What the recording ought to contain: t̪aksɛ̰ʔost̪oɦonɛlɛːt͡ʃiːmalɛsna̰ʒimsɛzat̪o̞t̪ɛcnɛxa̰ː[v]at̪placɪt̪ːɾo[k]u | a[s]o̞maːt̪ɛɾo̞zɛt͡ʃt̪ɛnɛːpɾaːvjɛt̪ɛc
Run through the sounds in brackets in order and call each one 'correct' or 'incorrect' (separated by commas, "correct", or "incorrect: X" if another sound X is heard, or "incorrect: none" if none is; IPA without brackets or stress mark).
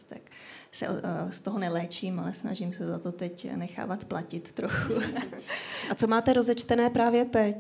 correct, incorrect: x, incorrect: t͡s